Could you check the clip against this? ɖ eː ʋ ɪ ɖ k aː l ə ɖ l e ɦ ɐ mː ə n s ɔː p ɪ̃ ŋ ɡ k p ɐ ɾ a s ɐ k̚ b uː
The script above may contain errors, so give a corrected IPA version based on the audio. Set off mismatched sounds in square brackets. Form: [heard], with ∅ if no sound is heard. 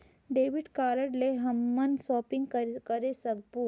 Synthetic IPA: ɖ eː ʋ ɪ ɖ k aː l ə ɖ l e ɦ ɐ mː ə n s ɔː p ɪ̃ ŋ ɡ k [k] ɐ ɾ [e] s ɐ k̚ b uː